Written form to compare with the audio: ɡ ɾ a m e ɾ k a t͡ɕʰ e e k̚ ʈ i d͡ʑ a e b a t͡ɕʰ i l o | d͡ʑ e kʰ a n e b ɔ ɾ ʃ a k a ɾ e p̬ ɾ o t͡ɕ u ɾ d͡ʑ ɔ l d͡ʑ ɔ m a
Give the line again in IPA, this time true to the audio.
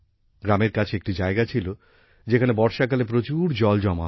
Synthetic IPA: ɡ ɾ a m e ɾ k a t͡ɕʰ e e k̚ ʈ i d͡ʑ a e ɡ a t͡ɕʰ i l o | d͡ʑ e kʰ a n e b ɔ ɾ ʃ a k a l e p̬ ɾ o t͡ɕ u ɾ d͡ʑ ɔ l d͡ʑ ɔ m a